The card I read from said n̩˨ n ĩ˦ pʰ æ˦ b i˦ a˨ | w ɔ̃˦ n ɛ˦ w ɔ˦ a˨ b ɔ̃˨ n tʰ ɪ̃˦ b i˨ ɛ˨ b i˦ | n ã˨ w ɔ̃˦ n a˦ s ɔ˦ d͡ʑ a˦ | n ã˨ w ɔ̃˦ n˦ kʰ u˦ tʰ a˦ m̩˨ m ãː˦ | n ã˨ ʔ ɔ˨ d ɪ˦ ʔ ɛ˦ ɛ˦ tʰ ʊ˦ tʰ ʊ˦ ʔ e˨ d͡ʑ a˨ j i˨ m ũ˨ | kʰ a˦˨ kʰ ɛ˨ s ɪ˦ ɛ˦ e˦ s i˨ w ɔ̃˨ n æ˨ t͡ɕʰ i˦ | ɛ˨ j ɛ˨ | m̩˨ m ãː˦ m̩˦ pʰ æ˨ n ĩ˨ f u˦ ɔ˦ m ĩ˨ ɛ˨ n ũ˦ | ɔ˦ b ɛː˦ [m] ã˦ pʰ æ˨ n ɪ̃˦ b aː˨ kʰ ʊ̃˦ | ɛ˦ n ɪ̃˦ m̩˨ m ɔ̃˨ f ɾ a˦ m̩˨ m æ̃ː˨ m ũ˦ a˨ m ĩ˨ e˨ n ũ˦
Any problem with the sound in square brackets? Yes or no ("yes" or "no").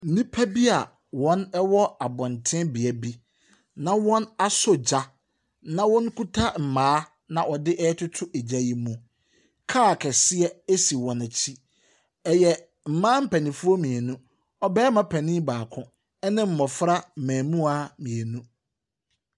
no